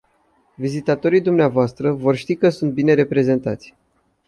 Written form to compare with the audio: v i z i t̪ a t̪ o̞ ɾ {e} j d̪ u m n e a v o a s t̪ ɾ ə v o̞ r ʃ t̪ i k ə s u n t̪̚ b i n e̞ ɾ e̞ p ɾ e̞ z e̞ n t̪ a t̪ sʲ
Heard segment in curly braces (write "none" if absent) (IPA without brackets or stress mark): i